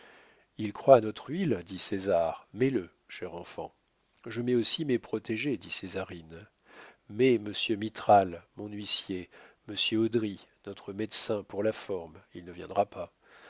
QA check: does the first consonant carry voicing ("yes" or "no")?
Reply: yes